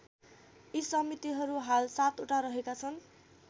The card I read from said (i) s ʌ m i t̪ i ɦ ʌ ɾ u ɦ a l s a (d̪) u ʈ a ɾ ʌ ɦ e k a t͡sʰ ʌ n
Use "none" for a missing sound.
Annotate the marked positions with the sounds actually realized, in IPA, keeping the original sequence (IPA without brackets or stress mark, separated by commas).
i, t̪